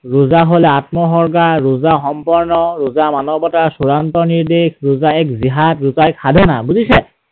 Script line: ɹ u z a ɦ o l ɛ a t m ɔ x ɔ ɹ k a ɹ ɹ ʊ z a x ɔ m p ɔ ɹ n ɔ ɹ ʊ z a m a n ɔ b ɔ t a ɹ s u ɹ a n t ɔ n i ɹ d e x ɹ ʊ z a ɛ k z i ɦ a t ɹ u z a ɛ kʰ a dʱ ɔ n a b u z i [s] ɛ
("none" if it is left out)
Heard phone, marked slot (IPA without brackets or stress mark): s